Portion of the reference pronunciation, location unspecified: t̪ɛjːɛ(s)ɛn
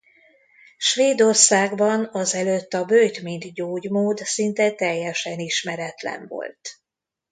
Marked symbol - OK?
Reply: no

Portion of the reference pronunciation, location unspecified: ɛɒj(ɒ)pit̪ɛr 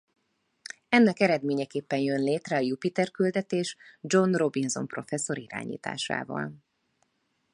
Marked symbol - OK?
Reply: no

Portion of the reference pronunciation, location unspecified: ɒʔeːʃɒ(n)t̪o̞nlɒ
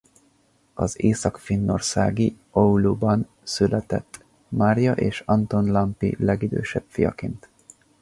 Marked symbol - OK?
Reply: yes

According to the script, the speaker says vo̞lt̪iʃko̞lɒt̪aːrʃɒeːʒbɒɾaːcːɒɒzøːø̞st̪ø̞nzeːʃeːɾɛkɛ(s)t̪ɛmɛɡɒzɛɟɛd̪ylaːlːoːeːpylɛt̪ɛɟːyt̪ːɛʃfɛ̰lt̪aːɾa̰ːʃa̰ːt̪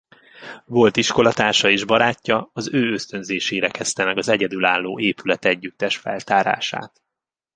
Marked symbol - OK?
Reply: yes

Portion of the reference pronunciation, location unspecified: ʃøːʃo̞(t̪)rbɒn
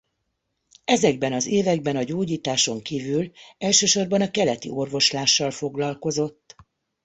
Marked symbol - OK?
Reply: no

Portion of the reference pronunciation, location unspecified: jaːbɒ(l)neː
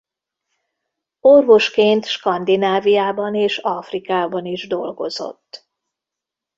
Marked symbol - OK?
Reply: no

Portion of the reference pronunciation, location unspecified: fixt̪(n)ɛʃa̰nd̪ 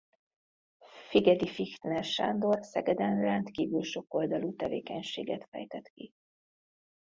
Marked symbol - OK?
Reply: yes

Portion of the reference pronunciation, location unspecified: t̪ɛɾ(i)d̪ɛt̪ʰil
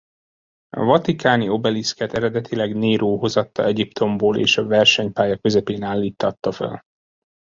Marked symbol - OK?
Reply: no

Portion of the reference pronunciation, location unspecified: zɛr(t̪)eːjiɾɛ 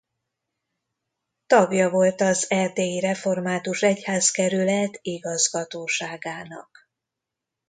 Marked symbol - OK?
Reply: no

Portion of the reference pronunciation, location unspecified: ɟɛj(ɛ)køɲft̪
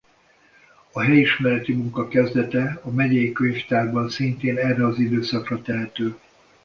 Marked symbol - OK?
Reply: no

